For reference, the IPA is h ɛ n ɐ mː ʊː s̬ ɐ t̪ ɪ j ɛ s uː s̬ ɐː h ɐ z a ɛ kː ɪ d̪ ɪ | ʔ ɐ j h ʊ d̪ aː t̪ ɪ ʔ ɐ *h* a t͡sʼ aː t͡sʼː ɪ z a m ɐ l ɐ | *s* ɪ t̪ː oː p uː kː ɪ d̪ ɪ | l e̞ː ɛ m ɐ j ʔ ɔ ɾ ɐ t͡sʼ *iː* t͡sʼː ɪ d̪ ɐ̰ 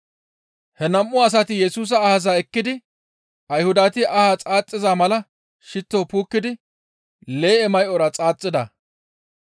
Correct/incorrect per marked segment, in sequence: correct, incorrect: ʃ, incorrect: aː

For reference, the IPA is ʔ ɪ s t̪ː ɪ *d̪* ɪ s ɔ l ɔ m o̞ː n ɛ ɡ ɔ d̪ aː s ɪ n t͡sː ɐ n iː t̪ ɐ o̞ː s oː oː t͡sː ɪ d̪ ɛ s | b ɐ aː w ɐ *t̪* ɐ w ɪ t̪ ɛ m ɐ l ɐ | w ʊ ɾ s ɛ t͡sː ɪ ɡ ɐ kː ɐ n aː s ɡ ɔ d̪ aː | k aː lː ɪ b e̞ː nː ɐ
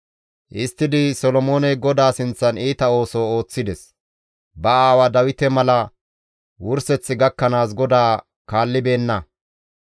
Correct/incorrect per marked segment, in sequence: correct, incorrect: d̪

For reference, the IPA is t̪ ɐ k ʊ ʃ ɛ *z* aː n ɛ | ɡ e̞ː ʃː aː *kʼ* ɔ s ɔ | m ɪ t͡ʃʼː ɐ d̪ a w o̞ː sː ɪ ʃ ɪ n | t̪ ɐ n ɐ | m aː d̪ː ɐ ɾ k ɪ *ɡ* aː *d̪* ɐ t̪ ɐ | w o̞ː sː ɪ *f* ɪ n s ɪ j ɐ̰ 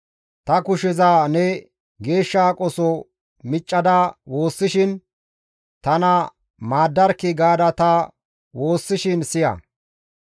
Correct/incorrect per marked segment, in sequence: correct, correct, correct, correct, incorrect: ʃ

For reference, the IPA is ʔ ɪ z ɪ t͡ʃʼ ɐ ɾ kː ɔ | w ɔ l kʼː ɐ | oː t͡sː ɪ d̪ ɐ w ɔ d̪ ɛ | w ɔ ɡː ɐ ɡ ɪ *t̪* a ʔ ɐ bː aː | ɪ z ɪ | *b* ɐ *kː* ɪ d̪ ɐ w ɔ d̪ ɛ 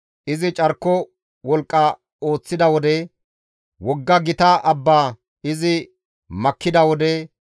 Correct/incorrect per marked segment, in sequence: correct, incorrect: m, correct

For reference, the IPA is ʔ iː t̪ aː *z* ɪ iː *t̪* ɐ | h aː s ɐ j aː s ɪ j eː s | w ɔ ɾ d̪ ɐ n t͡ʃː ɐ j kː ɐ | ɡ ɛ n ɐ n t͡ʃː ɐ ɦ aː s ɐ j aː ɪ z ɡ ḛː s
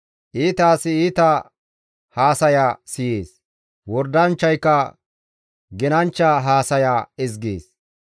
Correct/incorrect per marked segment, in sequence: incorrect: s, correct

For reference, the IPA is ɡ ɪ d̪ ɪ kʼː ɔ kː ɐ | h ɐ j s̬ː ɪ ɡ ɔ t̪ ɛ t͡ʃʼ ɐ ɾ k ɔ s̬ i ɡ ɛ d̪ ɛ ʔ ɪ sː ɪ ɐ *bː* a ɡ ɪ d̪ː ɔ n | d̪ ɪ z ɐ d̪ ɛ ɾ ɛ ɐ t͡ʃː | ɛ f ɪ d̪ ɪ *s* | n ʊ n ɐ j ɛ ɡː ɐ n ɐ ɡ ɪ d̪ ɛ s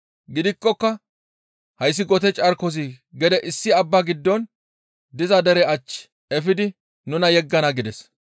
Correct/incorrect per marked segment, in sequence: correct, incorrect: none

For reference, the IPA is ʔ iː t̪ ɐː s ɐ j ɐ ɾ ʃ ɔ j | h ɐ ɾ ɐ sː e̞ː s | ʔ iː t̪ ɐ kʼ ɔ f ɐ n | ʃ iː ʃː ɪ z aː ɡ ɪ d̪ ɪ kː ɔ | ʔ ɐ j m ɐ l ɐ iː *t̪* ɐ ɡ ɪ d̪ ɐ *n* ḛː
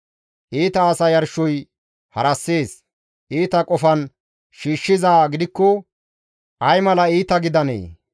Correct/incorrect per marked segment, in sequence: correct, correct

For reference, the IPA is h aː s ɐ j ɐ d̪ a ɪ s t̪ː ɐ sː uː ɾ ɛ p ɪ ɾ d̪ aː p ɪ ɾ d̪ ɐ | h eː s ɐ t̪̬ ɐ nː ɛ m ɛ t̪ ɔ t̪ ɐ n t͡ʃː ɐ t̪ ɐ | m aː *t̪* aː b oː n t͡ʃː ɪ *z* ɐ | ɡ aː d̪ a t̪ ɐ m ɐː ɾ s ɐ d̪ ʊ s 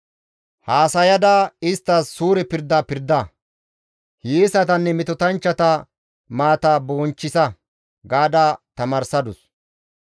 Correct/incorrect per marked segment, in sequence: correct, incorrect: s

